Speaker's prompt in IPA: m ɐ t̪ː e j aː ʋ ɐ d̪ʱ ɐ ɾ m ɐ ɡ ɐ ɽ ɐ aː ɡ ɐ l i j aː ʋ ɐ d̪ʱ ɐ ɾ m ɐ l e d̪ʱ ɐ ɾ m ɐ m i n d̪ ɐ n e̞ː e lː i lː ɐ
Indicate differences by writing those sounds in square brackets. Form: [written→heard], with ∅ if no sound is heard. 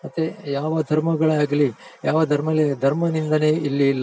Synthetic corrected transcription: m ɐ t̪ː e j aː ʋ ɐ d̪ʱ ɐ ɾ m ɐ ɡ ɐ [ɽ→ɭ] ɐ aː ɡ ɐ l i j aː ʋ ɐ d̪ʱ ɐ ɾ m ɐ l e d̪ʱ ɐ ɾ m ɐ [m→n] i n d̪ ɐ n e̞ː [e→i] lː i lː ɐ